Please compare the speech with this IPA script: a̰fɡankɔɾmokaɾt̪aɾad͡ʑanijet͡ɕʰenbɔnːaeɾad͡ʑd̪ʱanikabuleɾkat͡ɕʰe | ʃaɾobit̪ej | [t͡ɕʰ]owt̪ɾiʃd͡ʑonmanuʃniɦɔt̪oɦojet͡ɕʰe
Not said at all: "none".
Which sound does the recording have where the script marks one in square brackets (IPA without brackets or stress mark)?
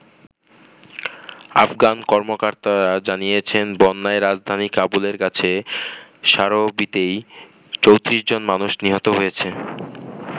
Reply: t͡ɕ